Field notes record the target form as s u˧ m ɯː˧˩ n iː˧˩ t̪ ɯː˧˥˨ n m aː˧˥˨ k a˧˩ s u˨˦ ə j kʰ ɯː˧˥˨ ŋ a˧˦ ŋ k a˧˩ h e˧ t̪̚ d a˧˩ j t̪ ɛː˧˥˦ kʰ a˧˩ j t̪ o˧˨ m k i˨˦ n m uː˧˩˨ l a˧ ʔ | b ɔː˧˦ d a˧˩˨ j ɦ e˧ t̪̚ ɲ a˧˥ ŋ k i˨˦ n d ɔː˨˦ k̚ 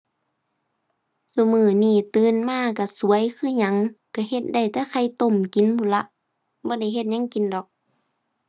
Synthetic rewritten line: s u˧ m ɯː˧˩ n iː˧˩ t̪ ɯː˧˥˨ n m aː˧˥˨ k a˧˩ s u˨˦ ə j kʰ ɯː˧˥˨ ɲ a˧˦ ŋ k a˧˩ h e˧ t̪̚ d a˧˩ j t̪ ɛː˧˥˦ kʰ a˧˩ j t̪ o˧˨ m k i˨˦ n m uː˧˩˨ l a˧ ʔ | b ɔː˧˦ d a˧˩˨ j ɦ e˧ t̪̚ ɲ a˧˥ ŋ k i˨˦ n d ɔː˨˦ k̚

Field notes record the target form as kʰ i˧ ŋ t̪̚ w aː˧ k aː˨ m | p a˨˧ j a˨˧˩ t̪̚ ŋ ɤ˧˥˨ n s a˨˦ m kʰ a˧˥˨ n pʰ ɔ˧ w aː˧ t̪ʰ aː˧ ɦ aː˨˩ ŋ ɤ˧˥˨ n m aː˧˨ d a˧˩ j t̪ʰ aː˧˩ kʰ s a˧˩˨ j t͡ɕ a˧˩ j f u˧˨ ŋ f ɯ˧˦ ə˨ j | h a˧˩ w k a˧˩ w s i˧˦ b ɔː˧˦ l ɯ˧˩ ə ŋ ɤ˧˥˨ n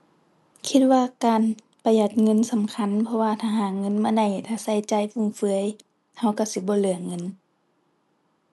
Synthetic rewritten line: kʰ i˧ t̪̚ w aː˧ k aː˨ n | p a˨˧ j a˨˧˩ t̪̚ ŋ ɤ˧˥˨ n s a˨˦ m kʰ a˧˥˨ n pʰ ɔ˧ w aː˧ t̪ʰ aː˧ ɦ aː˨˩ ŋ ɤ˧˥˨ n m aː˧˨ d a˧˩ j t̪ʰ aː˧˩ s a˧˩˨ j t͡ɕ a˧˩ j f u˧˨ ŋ f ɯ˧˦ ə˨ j | h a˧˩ w k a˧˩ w s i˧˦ b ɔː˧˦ l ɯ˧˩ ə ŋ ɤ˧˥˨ n

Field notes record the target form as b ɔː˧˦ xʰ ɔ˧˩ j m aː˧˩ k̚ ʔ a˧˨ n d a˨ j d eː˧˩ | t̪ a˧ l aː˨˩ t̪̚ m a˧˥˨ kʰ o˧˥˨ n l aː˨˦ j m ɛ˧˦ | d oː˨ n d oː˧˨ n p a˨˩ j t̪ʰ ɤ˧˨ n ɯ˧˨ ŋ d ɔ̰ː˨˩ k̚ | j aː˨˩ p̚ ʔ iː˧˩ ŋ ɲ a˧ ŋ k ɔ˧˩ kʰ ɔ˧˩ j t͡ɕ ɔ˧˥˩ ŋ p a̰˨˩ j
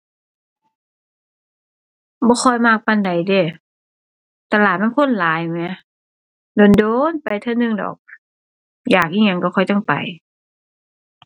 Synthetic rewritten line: b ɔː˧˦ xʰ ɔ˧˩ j m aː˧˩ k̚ p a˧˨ n d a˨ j d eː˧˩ | t̪ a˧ l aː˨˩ t̪̚ m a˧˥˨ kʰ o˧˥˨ n l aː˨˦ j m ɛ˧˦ | d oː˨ n d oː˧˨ n p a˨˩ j t̪ʰ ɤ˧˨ n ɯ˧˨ ŋ d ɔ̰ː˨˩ k̚ | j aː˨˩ k̚ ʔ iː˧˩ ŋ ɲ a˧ ŋ k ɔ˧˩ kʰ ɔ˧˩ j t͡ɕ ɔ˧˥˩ ŋ p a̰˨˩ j

